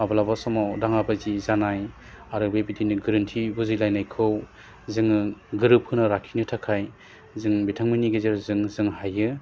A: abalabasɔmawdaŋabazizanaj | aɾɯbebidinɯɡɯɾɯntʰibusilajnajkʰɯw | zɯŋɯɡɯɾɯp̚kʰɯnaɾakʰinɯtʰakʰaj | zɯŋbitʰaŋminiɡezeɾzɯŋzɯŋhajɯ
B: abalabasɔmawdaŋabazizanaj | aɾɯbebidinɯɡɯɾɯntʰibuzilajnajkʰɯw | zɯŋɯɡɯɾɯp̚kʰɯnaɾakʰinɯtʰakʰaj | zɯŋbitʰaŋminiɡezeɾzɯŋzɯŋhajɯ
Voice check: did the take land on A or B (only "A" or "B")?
B